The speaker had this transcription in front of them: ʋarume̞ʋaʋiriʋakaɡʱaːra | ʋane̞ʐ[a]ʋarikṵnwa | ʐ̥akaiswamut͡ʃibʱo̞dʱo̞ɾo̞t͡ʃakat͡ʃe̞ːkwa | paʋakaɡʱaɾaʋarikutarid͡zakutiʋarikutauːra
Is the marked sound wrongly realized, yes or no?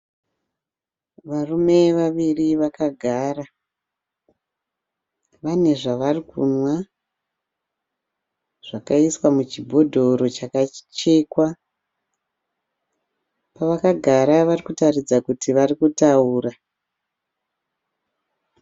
no